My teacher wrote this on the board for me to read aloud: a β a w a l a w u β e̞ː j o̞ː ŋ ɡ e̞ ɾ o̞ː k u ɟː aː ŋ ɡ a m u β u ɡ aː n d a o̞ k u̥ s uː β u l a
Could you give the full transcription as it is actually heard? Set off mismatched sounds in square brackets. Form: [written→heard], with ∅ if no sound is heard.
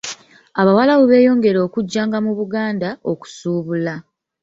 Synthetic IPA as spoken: a β a w a l a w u β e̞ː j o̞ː ŋ ɡ e̞ ɾ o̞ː k u ɟː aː ŋ ɡ a m u β u ɡ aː n d a o̞ k u̥ s uː β u l a